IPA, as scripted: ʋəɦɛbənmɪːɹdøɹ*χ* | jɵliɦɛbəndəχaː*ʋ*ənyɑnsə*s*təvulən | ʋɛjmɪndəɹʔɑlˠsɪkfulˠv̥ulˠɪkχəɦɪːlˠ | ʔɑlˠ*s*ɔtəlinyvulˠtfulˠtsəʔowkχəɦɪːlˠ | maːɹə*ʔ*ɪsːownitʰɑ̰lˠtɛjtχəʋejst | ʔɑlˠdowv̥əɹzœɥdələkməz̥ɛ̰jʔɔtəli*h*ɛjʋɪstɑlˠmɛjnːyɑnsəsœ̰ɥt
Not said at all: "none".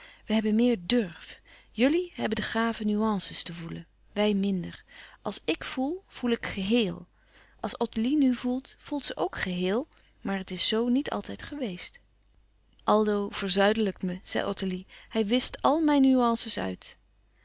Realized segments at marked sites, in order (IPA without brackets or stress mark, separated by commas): f, v, s, s, t, h